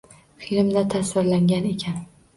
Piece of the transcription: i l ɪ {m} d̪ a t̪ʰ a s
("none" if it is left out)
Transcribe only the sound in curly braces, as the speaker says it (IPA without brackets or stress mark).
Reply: m